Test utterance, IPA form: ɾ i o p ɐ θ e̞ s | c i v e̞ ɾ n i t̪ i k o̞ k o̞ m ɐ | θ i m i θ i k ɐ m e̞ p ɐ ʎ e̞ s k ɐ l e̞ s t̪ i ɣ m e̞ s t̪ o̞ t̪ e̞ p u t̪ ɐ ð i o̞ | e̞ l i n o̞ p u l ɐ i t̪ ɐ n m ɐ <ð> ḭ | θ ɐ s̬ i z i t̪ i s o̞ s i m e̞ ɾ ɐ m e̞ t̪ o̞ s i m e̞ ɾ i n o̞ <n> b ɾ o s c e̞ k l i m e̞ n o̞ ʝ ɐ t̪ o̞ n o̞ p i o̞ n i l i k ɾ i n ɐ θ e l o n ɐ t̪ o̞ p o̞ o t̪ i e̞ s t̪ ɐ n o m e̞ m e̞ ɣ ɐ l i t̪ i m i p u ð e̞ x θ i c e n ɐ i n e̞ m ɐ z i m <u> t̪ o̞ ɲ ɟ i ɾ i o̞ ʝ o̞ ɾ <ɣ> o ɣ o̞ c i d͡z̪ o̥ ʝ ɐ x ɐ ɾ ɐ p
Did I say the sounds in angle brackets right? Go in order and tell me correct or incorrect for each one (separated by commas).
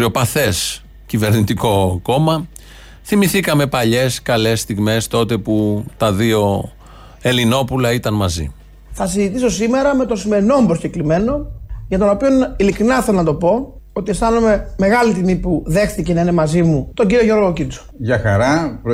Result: incorrect, incorrect, correct, correct